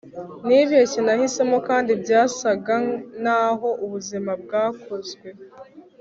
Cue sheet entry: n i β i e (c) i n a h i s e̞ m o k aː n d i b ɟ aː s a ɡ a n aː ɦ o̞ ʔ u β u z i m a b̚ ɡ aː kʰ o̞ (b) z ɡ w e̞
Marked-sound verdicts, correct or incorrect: correct, incorrect: none

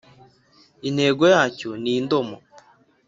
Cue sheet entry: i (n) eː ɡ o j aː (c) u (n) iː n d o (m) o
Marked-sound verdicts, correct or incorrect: correct, correct, correct, correct

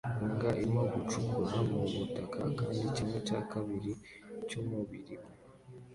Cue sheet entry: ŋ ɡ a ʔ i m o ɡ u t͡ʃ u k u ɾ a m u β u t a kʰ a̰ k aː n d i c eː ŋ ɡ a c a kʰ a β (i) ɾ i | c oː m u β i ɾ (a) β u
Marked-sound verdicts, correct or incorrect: correct, incorrect: i

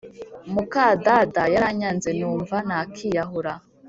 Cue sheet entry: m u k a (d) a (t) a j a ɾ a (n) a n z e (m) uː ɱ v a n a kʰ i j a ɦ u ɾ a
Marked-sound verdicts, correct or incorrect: correct, incorrect: d, incorrect: ɲ, incorrect: n

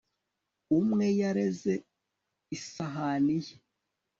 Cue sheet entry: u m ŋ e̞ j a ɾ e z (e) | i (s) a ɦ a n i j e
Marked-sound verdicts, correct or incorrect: correct, correct

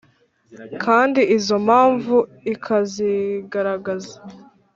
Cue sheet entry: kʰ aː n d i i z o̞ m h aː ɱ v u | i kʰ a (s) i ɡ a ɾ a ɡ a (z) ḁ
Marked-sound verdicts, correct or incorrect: incorrect: z, correct

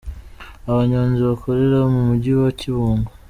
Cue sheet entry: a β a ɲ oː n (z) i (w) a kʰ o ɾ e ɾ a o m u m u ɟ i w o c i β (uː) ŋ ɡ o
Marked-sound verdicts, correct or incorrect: correct, incorrect: β, correct

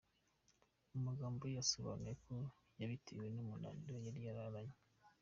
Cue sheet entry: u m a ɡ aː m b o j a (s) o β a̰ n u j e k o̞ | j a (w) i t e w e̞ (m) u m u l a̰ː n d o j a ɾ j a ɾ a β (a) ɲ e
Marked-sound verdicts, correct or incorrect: correct, incorrect: β, incorrect: n, correct

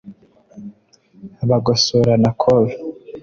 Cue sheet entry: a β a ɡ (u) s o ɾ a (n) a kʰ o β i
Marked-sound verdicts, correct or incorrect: incorrect: o, correct

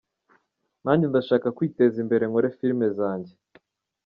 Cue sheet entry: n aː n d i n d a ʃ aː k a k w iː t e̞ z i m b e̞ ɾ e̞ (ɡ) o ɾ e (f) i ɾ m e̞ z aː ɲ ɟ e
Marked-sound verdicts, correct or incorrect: incorrect: ŋ, correct

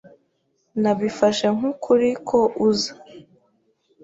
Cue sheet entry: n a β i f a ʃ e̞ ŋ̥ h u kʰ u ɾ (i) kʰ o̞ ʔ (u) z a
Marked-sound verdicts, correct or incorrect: correct, correct

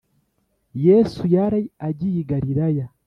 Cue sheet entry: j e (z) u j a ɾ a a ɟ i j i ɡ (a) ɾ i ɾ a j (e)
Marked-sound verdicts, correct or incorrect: incorrect: s, correct, incorrect: a

